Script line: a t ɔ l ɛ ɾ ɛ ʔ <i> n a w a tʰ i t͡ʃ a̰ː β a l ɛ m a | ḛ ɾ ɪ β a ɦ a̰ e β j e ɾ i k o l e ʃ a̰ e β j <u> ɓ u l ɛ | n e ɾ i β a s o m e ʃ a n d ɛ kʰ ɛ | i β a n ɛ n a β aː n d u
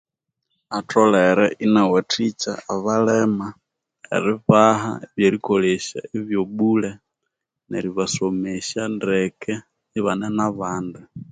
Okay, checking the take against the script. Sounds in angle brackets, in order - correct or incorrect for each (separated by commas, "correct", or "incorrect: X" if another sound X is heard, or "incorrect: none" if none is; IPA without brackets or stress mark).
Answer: correct, incorrect: o